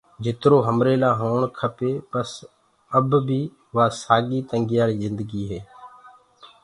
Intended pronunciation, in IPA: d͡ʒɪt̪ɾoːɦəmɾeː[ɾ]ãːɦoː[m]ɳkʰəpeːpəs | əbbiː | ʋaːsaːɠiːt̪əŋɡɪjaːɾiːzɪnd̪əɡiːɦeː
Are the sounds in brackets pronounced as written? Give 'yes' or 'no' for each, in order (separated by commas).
no, no